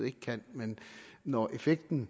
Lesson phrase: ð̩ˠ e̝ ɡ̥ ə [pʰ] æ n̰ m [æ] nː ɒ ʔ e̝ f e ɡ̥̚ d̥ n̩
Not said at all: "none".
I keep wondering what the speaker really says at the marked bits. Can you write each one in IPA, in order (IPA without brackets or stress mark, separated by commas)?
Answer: kʰ, e